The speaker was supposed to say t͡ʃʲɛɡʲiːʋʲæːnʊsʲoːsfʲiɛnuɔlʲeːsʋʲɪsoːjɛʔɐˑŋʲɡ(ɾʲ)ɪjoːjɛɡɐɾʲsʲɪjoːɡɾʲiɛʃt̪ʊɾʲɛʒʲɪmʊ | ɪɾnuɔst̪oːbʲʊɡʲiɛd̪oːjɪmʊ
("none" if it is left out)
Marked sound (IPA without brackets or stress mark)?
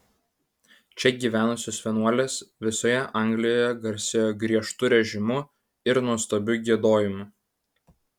lʲ